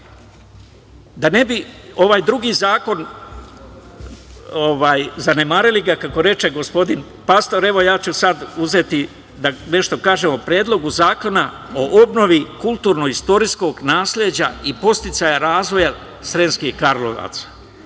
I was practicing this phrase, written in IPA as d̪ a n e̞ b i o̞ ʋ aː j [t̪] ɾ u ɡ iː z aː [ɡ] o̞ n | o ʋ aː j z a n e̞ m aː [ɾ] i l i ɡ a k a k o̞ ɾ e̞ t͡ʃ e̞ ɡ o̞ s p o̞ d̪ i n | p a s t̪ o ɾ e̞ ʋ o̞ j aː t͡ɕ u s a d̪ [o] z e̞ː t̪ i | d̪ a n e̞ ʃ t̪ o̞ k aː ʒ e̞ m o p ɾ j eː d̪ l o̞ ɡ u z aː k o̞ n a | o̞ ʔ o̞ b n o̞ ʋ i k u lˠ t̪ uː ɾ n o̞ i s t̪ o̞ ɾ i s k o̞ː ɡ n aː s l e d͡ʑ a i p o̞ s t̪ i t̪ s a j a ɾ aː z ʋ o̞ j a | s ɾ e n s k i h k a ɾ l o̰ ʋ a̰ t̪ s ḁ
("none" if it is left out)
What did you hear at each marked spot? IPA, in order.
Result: d̪, k, ɾ, u

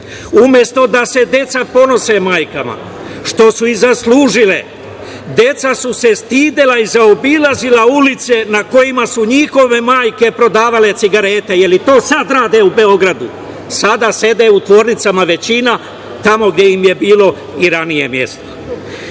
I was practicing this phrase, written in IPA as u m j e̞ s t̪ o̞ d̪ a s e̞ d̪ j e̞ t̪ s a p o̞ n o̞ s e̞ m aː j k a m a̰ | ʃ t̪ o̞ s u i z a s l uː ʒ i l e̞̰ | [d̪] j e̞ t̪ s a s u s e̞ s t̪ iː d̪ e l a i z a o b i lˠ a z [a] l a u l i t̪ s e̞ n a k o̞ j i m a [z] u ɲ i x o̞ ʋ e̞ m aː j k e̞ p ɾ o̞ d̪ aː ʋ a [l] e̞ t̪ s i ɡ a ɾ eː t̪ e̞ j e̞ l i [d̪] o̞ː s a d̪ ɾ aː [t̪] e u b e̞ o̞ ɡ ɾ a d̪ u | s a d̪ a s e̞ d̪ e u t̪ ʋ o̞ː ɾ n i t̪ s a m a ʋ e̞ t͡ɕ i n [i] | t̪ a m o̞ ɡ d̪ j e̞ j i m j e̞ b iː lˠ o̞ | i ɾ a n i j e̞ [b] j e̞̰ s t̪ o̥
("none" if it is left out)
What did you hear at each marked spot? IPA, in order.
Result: d̪, i, s, l, t̪, d̪, a, m

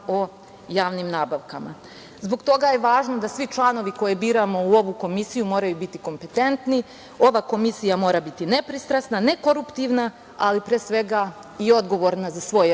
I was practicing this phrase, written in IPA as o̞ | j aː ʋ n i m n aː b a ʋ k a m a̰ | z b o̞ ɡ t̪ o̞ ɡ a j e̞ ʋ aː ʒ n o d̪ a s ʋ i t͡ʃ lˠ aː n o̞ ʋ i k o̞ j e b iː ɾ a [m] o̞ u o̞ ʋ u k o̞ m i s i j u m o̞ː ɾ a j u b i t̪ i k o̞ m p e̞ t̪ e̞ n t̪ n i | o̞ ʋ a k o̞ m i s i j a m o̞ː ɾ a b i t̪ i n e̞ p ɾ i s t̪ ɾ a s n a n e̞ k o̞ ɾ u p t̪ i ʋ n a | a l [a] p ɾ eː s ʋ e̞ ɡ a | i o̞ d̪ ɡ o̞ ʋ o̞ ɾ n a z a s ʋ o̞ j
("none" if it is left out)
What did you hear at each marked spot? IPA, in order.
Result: m, i

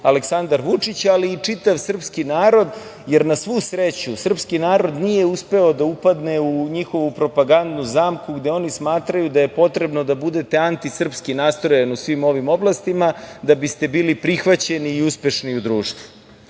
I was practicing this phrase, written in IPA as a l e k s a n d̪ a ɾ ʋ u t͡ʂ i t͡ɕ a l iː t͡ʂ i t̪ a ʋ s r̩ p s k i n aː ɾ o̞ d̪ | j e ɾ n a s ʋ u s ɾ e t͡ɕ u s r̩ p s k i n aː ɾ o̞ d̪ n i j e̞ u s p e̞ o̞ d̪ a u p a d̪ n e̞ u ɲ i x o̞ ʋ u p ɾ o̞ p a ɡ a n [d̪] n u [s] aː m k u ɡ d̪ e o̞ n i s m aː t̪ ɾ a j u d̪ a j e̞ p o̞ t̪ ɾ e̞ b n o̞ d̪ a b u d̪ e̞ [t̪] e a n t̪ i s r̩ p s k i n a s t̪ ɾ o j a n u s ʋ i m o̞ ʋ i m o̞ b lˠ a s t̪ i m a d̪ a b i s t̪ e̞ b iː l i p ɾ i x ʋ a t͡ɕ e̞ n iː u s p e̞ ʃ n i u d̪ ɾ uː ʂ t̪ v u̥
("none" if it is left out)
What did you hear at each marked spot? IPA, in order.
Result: d̪, z, t̪

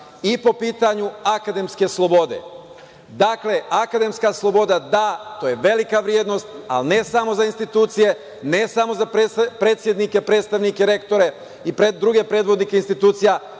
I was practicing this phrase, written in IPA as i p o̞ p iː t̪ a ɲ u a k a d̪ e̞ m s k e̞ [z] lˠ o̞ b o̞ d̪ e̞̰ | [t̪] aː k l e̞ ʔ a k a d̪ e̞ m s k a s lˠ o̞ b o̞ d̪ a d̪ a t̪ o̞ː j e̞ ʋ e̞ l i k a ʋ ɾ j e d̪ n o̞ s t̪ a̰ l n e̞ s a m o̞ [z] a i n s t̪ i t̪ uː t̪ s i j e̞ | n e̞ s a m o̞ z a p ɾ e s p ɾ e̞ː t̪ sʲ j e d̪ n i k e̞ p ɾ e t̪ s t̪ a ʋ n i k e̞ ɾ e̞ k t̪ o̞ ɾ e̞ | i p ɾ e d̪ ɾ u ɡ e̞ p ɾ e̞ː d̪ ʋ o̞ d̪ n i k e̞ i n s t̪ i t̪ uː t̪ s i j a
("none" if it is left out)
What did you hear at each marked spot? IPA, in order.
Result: s, d̪, z

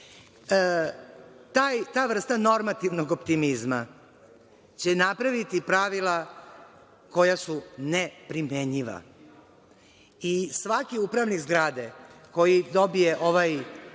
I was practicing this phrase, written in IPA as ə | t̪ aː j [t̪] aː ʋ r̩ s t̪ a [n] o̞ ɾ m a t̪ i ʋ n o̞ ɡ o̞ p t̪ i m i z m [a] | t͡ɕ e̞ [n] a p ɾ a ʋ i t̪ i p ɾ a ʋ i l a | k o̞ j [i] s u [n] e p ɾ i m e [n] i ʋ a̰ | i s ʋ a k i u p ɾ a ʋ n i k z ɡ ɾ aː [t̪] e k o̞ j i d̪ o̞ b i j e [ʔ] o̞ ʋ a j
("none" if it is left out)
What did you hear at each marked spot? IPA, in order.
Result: t̪, n, a, n, a, n, ɲ, d̪, ʔ

